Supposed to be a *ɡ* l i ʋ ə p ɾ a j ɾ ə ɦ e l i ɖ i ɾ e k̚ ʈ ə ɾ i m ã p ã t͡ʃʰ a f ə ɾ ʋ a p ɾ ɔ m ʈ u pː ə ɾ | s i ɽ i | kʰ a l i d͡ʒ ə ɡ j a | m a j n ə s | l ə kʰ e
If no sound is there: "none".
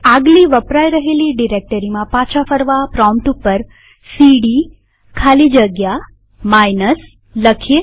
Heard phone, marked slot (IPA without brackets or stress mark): ɡ